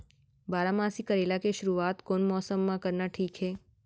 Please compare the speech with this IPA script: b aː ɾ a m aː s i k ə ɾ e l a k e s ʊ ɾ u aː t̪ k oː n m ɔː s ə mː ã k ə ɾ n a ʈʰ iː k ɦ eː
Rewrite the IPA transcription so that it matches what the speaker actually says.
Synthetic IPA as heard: b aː ɾ a m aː s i k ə ɾ e l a k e ʃ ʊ ɾ u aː t̪ k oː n m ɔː s ə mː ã k ə ɾ n a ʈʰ iː k ɦ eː